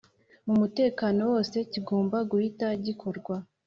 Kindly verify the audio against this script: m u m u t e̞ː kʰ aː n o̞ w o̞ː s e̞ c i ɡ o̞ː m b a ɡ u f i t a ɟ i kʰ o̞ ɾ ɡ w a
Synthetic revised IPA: m u m u t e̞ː k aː n o̞ w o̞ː s e̞ c i ɡ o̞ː m b a ɡ u h i t a ɟ i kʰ o̞ ɾ ɡ w a